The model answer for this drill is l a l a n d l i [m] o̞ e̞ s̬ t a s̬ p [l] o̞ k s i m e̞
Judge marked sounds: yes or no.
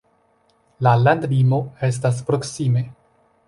yes, no

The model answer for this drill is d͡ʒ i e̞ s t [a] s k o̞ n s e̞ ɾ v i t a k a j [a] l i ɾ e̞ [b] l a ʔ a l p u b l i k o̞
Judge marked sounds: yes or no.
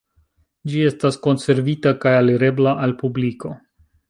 yes, yes, yes

